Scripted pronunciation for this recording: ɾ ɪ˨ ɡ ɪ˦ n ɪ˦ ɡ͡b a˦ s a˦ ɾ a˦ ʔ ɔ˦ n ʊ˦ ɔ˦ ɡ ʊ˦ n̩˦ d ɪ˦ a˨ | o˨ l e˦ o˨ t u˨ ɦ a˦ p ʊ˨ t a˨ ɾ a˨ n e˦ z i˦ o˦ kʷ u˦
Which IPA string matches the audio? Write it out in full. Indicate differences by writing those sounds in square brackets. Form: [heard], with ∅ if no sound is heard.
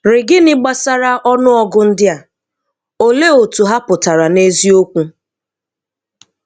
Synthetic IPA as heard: ɾ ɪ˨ ɡ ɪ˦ n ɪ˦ ɡ͡b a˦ s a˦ ɾ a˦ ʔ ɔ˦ n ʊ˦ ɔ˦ ɡ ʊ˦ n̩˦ d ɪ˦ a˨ | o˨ l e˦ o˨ t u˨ ɦ a˦ p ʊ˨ t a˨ ɾ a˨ n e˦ z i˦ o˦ kʷ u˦